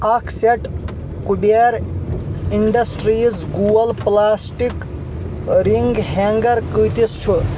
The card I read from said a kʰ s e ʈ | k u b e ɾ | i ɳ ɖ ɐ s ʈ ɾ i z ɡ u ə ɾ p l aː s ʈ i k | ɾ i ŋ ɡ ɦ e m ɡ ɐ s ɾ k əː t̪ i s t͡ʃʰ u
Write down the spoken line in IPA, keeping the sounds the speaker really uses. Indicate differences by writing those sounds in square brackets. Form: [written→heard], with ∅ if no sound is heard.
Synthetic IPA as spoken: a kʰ s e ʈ | k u b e ɾ | i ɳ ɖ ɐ s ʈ ɾ i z ɡ u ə [ɾ→l] p l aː s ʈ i k | ɾ i ŋ ɡ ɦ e [m→ŋ] ɡ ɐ [s→∅] ɾ k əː t̪ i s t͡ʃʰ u